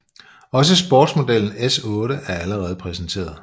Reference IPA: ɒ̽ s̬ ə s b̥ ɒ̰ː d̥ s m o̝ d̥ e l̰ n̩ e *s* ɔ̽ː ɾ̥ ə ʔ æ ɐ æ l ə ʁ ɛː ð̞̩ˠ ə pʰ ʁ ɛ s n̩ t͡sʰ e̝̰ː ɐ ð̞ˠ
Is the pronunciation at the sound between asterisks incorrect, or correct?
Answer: correct